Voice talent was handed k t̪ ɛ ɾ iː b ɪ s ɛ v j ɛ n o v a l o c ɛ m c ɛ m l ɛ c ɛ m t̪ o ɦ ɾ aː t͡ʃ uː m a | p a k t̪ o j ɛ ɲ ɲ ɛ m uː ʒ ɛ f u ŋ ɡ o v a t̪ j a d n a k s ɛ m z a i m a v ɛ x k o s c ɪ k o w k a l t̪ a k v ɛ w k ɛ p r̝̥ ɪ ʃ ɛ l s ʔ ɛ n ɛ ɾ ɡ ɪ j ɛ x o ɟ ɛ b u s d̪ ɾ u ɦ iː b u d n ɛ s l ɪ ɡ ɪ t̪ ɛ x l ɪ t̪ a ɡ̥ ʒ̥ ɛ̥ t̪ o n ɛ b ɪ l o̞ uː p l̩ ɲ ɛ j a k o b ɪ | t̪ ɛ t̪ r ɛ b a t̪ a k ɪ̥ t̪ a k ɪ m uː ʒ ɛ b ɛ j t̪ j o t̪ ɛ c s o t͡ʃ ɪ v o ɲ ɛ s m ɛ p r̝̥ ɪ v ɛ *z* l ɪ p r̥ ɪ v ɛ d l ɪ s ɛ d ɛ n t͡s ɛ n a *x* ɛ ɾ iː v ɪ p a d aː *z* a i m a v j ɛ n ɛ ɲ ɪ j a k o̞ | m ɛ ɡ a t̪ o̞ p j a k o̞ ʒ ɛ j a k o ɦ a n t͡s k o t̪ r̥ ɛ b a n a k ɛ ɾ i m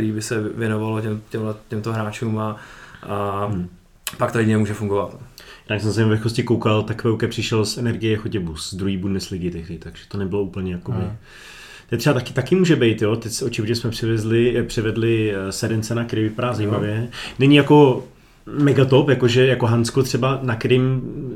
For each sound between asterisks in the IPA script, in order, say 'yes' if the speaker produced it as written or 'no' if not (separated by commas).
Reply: yes, no, yes